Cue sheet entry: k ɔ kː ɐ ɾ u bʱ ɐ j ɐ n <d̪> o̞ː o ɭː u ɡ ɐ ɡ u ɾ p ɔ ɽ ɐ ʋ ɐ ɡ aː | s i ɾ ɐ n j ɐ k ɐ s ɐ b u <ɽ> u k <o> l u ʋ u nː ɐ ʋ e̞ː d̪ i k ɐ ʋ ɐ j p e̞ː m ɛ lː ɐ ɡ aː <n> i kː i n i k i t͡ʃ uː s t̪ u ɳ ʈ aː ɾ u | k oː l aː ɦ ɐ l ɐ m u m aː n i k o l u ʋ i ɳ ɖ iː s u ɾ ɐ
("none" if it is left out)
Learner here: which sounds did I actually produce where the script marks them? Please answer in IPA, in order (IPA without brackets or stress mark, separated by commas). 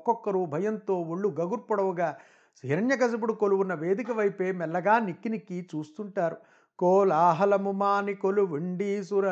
t̪, ɽ, o, n